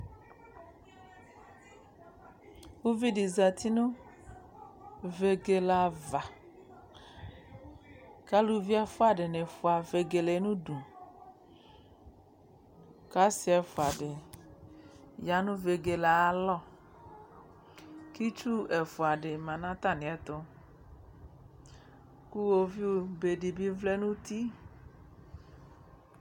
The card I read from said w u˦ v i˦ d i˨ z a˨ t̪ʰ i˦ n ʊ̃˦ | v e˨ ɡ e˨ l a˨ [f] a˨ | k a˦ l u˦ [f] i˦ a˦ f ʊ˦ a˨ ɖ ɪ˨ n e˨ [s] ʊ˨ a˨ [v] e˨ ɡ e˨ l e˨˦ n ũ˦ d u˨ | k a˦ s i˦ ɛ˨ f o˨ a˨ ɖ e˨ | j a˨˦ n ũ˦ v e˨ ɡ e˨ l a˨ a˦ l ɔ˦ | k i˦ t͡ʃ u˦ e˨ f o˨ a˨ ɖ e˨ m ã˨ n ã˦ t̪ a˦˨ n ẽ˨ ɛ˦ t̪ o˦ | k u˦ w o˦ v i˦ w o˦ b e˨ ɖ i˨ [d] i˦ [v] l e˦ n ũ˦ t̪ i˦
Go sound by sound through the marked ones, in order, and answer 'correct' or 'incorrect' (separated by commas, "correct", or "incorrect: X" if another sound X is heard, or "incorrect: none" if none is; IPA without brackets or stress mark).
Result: incorrect: v, incorrect: v, incorrect: f, correct, incorrect: b, correct